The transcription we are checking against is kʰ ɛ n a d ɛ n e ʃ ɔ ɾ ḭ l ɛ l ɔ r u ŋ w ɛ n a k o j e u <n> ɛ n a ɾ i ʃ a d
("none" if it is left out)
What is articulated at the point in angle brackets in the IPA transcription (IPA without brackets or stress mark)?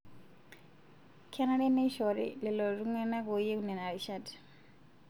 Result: n